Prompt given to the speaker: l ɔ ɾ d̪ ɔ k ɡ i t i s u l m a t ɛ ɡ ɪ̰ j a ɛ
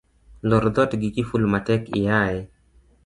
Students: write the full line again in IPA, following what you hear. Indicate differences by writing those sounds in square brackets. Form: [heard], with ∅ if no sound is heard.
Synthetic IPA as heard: l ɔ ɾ d̪ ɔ [t] ɡ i [k] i [f] u l m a t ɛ [k] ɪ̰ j a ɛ